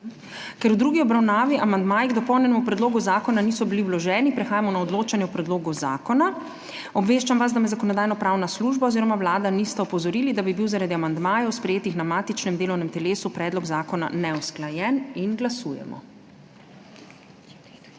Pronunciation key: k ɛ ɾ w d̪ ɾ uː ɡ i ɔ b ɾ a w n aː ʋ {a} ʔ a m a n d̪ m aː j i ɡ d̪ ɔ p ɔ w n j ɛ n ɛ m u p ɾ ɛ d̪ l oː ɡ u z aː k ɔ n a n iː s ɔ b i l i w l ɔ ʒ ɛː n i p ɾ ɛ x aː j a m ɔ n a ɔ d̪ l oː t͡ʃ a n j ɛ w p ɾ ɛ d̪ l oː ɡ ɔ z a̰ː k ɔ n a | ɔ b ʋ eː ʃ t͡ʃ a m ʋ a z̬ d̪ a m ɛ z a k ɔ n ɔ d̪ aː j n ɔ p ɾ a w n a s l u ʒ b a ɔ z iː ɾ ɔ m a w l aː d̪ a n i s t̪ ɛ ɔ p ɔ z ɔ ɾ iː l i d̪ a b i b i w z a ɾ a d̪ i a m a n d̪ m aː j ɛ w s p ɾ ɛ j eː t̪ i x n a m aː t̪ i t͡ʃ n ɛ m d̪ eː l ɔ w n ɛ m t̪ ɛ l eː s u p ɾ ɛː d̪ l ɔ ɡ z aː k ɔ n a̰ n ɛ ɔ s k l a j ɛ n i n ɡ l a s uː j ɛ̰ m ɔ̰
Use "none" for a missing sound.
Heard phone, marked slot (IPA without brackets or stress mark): i